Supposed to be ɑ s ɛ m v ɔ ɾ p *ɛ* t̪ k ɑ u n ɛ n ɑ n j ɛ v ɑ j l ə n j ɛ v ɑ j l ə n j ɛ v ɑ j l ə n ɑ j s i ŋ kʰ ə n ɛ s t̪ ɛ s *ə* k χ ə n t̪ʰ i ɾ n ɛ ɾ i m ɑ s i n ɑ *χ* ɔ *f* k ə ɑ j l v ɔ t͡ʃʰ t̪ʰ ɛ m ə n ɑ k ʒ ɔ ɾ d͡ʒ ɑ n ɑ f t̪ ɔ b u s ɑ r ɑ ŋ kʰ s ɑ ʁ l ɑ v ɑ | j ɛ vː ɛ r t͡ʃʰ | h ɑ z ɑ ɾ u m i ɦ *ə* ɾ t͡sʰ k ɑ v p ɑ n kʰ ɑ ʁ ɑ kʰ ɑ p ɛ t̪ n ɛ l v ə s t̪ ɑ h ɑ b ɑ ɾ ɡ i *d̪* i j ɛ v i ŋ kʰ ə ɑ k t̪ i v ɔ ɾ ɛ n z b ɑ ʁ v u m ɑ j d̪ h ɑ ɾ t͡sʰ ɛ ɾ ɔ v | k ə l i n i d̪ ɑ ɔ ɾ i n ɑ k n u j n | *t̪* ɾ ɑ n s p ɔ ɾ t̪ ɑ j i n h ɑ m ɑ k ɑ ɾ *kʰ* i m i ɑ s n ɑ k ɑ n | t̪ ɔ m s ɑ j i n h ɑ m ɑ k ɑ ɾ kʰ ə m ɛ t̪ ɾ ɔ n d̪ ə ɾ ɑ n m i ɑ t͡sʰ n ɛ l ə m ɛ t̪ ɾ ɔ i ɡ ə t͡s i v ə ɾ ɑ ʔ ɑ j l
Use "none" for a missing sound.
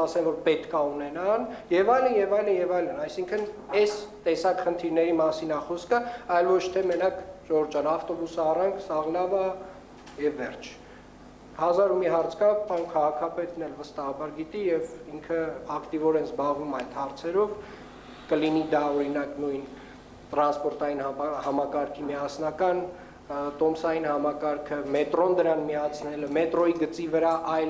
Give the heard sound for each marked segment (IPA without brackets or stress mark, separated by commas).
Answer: ɛ, ɑ, χ, s, ɑ, t̪, t̪, kʰ